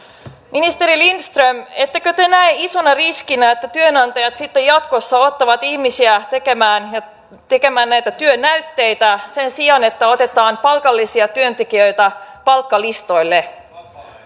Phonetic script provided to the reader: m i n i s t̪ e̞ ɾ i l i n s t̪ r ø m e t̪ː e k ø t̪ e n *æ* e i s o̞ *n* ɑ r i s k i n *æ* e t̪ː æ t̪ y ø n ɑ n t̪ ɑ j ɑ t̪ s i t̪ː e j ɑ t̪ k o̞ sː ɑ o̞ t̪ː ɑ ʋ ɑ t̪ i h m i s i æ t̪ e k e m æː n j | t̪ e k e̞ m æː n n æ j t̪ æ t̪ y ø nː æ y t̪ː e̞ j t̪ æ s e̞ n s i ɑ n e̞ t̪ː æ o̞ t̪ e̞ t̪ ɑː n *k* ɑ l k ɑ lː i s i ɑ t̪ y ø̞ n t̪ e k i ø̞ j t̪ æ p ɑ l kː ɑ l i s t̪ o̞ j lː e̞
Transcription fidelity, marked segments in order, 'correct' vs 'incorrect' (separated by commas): correct, correct, correct, incorrect